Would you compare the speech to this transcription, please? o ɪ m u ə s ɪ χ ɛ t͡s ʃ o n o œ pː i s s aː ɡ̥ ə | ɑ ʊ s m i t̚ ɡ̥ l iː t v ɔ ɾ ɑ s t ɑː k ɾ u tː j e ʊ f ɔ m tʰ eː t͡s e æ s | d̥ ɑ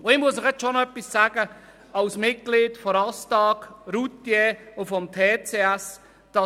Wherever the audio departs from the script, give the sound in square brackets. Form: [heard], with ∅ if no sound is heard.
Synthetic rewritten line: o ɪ m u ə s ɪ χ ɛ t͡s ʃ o n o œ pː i s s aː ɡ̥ ə | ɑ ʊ s m [ɪ] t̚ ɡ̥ l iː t [f] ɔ ɾ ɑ s t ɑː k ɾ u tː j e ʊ f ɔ m tʰ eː t͡s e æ s | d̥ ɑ